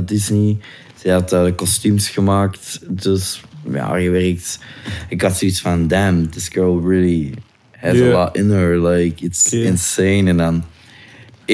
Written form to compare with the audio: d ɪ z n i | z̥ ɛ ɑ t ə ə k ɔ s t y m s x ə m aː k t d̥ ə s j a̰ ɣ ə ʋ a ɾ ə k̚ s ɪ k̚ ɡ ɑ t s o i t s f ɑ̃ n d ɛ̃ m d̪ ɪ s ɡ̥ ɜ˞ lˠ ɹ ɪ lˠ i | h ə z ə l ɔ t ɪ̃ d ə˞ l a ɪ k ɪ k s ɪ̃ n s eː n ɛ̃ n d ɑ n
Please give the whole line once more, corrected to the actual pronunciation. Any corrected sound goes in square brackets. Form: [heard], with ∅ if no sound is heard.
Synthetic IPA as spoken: d ɪ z n i | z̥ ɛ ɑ t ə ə k ɔ s t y m s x ə m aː k t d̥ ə s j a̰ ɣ ə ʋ [ɛ] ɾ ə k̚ [t] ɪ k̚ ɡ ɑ t s o i t s f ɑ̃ n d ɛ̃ m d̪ ɪ s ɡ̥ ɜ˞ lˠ ɹ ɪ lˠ i | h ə z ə l ɔ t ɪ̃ [n] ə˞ l a ɪ k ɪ [t] s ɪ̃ n s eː n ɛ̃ n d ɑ n